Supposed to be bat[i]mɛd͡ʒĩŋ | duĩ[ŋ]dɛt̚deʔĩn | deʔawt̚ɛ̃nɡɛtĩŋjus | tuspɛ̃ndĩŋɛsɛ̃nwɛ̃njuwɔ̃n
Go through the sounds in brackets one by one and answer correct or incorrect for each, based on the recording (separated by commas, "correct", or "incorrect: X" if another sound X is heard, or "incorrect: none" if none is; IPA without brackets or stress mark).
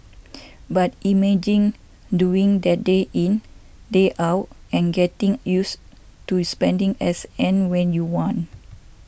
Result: correct, correct